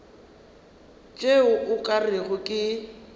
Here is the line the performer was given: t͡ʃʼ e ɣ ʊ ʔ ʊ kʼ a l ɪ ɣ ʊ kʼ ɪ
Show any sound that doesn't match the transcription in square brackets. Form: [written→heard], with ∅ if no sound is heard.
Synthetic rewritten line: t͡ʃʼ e [ɣ→∅] ʊ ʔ ʊ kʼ a [l→r] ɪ ɣ ʊ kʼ ɪ

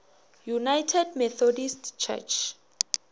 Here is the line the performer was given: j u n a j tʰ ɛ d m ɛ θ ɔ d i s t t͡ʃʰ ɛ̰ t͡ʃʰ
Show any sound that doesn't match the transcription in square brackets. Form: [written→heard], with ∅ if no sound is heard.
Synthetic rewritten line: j u n a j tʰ ɛ d m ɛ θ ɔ d i s t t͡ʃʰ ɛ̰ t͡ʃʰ

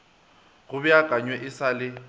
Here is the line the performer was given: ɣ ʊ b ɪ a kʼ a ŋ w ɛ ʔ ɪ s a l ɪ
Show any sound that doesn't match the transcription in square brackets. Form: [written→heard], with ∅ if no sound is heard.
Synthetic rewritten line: ɣ ʊ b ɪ a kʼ a [ŋ→ɲ] w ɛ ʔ ɪ s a l ɪ

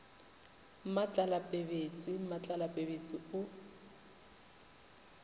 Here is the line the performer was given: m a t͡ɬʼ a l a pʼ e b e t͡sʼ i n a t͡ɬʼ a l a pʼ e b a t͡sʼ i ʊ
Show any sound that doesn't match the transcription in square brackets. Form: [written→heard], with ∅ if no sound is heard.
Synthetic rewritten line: m a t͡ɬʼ a l a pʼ e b e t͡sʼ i [n→m] a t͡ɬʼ a l a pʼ e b [a→e] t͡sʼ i ʊ

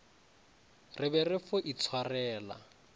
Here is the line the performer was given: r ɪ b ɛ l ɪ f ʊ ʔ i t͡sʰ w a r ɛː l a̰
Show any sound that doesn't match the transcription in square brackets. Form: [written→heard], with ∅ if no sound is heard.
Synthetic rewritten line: r ɪ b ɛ [l→r] ɪ f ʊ ʔ i t͡sʰ w a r ɛː l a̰

